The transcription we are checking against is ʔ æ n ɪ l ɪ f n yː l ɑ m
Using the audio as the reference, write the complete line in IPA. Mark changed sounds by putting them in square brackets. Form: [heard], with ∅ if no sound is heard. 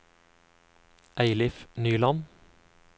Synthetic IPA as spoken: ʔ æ [∅] ɪ l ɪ f n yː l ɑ [n]